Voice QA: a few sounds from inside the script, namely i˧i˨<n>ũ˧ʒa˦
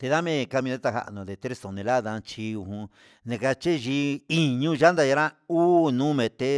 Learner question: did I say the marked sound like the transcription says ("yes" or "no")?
no